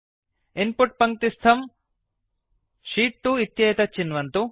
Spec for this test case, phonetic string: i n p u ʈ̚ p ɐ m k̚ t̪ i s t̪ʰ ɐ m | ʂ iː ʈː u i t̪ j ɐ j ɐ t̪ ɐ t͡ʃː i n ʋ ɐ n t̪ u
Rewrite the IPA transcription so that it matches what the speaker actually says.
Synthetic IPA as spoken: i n p u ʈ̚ p ɐ ŋ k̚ t̪ i s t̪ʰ ɐ m | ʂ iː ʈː u i t̪ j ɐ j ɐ t̪ ɐ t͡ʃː i n ʋ ɐ n t̪ u